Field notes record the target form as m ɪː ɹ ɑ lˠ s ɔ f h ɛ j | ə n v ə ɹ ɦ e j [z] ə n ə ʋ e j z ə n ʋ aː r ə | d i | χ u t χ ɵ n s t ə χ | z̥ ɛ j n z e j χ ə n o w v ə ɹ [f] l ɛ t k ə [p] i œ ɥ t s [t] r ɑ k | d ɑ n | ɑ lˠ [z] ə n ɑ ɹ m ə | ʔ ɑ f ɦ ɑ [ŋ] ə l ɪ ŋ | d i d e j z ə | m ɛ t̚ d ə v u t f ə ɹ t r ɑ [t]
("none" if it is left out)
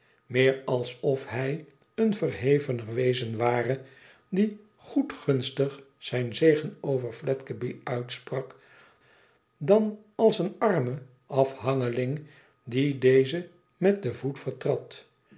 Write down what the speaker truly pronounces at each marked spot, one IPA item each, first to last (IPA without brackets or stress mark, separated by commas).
v, f, b, p, s, ŋ, t